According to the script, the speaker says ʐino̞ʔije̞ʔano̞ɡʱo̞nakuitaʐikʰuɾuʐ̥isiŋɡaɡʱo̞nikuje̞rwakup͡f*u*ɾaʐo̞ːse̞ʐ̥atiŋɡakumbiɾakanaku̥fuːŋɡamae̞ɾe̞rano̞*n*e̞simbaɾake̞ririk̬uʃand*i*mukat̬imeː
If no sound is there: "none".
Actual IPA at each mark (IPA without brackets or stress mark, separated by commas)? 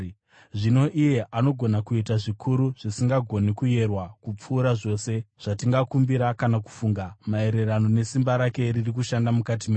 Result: uː, n, a